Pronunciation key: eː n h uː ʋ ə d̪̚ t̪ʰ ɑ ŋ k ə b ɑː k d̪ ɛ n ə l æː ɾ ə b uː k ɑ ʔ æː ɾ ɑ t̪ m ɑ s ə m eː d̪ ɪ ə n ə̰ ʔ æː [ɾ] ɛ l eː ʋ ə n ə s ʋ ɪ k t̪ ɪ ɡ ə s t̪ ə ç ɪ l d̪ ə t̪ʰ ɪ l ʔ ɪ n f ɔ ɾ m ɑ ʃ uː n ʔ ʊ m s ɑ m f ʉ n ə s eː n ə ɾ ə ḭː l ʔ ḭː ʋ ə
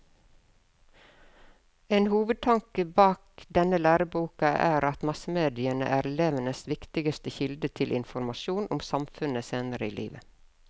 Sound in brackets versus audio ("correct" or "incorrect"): correct